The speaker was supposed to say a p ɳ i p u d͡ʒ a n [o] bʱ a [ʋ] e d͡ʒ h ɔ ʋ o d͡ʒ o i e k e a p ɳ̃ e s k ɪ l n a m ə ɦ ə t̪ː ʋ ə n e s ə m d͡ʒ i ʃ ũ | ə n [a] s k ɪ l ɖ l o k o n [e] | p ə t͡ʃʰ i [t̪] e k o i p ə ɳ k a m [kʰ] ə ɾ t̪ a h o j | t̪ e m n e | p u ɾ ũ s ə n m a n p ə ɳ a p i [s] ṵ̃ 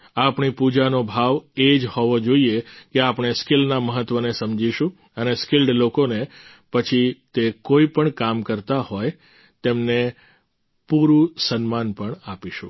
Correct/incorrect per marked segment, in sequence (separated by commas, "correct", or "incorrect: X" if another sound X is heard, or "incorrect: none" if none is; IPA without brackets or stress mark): correct, correct, incorrect: e, correct, correct, incorrect: k, incorrect: ʃ